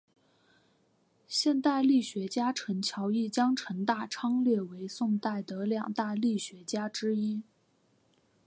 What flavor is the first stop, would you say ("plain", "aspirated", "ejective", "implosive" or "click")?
plain